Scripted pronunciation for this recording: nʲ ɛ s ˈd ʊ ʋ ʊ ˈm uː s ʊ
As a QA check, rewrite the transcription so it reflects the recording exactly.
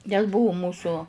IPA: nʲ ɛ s ˈb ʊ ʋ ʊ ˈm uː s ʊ